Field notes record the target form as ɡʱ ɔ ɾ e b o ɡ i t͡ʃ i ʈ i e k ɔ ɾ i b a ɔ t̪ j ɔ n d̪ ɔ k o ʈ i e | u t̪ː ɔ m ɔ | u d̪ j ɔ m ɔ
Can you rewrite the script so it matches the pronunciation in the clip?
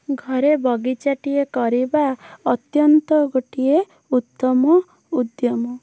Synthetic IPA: ɡʱ ɔ ɾ e b ɔ ɡ i t͡ʃ a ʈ i e k ɔ ɾ i b a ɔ t̪ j ɔ n t̪ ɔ ɡ o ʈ i e | u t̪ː ɔ m ɔ | u d̪ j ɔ m ɔ